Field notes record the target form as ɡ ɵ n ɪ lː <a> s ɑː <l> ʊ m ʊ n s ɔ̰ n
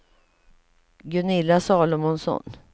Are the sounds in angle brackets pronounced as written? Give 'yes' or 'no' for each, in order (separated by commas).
yes, yes